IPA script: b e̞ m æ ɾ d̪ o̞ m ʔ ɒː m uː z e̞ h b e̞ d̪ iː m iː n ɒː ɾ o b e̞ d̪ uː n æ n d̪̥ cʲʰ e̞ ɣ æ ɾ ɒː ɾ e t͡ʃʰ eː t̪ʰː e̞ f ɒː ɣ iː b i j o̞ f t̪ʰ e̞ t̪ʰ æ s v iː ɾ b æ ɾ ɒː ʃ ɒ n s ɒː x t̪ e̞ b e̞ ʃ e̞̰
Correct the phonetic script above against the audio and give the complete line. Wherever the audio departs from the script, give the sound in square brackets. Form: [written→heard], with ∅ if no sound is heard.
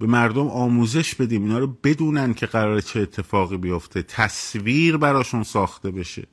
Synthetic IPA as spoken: b e̞ m æ ɾ d̪ o̞ m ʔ ɒː m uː z e̞ [h→ʃ] b e̞ d̪ iː m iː n ɒː ɾ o b e̞ d̪ uː n æ n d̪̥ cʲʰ e̞ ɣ æ ɾ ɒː ɾ e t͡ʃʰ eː t̪ʰː e̞ f ɒː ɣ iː b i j o̞ f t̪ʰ e̞ t̪ʰ æ s v iː ɾ b æ ɾ ɒː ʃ [ɒ→u] n s ɒː x t̪ e̞ b e̞ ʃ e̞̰